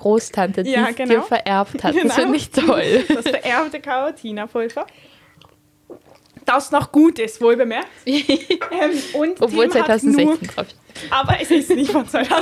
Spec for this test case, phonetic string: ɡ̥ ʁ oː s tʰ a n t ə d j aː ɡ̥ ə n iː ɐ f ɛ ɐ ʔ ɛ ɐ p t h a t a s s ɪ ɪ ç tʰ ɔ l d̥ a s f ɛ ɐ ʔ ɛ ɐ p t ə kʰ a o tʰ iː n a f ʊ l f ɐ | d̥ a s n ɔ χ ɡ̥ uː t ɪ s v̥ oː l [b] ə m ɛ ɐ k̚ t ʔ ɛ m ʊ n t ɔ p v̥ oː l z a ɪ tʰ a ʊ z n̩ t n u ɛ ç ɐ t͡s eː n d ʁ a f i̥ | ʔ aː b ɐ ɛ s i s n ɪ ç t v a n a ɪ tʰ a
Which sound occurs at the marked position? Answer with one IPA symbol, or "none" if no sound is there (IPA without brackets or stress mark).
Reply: b